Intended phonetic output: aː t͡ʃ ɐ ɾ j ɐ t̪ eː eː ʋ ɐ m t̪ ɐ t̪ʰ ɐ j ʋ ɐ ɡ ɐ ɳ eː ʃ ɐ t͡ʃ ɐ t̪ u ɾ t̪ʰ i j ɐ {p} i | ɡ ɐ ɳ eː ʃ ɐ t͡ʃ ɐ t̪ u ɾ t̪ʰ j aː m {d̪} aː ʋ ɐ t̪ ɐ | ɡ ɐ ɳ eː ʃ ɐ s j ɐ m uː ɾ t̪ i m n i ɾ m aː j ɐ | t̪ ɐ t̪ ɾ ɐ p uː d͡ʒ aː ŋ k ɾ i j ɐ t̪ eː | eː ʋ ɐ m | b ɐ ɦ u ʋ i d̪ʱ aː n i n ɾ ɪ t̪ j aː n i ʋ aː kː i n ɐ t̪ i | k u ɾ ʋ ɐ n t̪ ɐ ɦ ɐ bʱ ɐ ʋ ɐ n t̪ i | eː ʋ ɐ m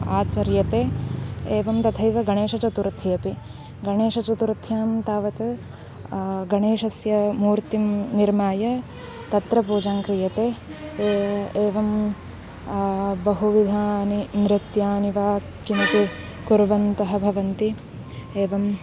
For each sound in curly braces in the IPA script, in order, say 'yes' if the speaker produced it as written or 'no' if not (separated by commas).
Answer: yes, no